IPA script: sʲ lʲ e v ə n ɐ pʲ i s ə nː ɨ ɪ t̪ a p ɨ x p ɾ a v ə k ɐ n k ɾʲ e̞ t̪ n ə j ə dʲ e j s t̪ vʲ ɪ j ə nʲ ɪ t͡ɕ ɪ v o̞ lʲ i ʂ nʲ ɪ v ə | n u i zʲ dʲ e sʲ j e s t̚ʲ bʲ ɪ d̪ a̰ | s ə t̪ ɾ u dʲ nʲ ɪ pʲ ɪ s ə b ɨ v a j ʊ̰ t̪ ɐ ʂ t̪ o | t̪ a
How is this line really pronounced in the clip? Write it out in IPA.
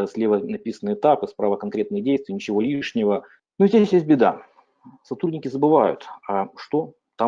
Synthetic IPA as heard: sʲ lʲ e v ə n ɐ pʲ i s ə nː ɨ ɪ t̪ a p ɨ s p ɾ a v ə k ɐ n k ɾʲ e̞ t̪ n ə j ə dʲ e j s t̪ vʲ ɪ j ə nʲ ɪ t͡ɕ ɪ v o̞ lʲ i ʂ nʲ ɪ v ə | n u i zʲ dʲ e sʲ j e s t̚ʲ bʲ ɪ d̪ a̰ | s ɐ t̪ ɾ u dʲ nʲ ɪ kʲ ɪ z ə b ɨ v a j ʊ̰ t̪ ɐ ʂ t̪ o | t̪ a